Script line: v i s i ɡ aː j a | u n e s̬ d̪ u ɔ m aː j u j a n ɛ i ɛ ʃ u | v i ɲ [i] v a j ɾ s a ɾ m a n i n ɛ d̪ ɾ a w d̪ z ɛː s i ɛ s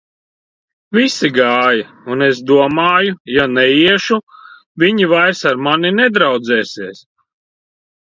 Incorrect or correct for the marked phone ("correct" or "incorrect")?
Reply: correct